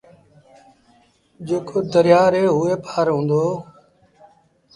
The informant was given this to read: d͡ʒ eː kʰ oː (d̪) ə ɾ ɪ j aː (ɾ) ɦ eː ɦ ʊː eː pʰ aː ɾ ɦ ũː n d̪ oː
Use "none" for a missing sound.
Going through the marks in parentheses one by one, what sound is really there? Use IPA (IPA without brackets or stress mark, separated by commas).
d̪, ɾ